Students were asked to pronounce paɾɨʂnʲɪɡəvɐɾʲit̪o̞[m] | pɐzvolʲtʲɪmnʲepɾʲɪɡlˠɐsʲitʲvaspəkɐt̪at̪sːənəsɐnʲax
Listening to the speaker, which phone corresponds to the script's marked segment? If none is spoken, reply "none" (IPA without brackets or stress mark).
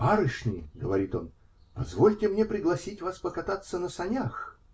n